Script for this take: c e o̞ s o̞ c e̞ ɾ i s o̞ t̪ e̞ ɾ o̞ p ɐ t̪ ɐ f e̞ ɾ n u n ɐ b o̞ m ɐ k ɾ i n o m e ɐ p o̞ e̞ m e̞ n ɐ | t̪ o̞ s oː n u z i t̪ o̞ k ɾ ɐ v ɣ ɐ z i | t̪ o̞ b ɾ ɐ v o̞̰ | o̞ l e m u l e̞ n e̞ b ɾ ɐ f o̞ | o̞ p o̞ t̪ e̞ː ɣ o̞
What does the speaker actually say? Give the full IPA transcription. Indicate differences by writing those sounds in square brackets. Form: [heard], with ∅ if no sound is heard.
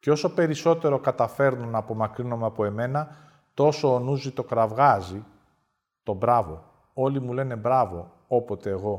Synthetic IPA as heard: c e o̞ s o̞ [p] e̞ ɾ i s o̞ t̪ e̞ ɾ o̞ [k] ɐ t̪ ɐ f e̞ ɾ n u n ɐ [p] o̞ m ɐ k ɾ i n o m e ɐ p o̞ e̞ m e̞ n ɐ | t̪ o̞ s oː n u z i t̪ o̞ k ɾ ɐ v ɣ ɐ z i | t̪ o̞ b ɾ ɐ v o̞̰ | o̞ l [i] m u l e̞ n e̞ b ɾ ɐ [v] o̞ | o̞ p o̞ t̪ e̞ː ɣ o̞